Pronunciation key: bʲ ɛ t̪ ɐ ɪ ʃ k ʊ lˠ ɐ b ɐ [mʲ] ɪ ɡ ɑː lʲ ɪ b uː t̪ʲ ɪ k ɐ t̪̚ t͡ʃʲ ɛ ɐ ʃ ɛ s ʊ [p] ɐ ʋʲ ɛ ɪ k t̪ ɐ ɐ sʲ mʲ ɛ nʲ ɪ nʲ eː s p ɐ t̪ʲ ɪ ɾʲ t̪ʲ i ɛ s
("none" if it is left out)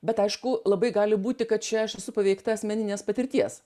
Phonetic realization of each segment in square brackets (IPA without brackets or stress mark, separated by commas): none, p